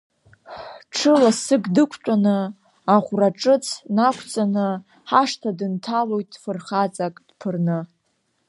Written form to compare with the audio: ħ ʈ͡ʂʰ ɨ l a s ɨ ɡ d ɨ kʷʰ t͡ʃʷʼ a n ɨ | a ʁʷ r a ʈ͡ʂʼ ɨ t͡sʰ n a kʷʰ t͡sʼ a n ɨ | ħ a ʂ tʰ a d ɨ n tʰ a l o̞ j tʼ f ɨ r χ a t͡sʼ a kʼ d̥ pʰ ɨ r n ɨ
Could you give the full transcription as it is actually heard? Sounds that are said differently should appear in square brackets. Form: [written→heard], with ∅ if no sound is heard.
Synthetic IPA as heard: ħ ʈ͡ʂʰ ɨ l a s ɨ ɡ d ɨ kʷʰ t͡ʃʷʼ a n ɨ | a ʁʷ r a ʈ͡ʂʼ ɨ t͡sʰ n a kʷʰ t͡sʼ a n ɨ | ħ a ʂ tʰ a d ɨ n tʰ a l o̞ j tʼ f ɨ r χ a t͡sʼ a kʼ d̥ pʰ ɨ r n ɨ